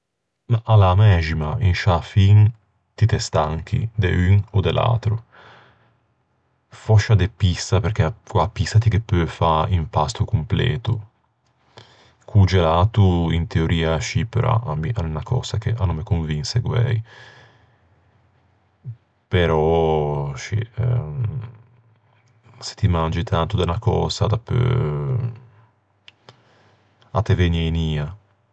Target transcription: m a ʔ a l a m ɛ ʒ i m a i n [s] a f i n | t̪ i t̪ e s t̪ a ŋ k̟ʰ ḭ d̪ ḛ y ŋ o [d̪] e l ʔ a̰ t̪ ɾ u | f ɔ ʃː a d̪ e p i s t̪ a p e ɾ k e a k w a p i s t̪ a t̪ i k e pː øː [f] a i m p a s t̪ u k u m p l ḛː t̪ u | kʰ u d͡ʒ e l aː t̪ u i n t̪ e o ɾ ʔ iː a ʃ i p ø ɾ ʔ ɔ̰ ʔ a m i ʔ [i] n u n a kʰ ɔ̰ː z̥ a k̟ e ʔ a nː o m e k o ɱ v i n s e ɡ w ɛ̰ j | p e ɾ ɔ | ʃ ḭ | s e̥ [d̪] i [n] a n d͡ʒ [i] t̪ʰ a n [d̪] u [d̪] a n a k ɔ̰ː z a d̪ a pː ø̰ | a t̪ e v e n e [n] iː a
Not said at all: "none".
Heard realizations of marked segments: ʃ, d̪, f, a, t̪, m, i, t̪, d̪, n

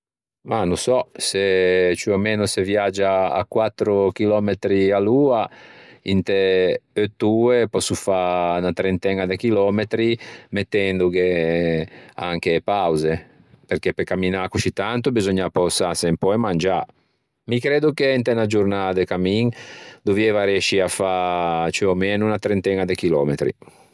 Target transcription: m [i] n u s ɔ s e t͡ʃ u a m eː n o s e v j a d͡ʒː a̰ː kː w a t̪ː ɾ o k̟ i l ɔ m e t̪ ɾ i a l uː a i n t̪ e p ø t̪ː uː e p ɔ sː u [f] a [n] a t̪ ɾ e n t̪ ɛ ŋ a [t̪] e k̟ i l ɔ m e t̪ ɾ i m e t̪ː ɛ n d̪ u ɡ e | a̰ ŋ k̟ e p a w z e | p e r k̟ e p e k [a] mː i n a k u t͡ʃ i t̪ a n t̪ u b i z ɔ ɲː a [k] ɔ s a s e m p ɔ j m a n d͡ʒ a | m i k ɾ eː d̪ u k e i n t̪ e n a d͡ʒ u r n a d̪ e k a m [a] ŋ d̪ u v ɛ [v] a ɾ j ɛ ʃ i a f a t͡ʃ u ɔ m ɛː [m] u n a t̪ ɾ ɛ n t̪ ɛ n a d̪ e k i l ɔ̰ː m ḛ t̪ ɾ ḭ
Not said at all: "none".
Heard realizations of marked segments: a, f, n, d̪, a, p, i, v, n

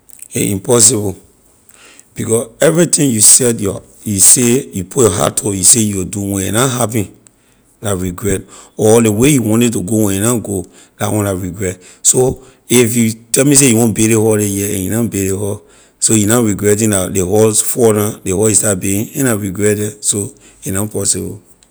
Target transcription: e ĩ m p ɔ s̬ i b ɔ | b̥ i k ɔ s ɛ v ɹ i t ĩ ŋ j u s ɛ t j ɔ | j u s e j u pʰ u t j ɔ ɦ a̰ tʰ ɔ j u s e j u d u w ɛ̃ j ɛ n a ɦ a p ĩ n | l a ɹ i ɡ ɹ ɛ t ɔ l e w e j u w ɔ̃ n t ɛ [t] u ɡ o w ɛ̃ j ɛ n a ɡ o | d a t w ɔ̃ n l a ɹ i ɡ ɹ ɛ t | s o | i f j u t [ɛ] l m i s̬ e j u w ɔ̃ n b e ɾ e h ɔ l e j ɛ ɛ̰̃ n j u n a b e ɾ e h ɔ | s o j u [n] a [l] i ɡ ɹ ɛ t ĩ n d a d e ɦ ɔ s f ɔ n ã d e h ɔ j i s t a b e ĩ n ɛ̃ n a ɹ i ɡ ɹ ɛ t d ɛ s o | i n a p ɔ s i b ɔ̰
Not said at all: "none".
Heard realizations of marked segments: t, ɛ, n, ɹ

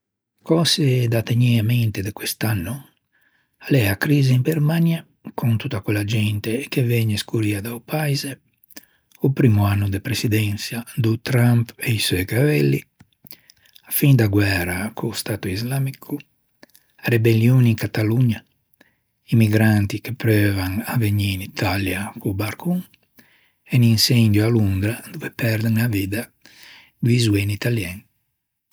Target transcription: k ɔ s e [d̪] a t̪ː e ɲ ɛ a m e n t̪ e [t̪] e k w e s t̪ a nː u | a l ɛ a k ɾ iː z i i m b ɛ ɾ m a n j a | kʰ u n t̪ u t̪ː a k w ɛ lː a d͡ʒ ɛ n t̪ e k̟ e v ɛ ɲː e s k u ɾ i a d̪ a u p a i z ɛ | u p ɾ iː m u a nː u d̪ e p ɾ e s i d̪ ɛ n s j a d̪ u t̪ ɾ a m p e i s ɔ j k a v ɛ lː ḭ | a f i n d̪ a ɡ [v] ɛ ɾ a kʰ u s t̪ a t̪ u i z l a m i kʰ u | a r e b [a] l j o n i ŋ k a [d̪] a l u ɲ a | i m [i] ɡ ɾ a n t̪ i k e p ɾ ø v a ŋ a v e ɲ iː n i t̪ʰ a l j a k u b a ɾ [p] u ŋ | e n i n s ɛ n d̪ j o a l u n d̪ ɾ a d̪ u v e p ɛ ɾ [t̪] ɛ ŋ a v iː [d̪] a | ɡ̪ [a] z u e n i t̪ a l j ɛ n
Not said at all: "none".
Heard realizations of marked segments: d̪, d̪, w, e, t̪, i, k, d̪, d̪, i

